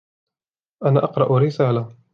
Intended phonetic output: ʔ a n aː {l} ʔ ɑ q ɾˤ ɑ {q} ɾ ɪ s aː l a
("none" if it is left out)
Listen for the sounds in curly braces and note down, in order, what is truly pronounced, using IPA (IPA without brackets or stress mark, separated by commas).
none, ʔ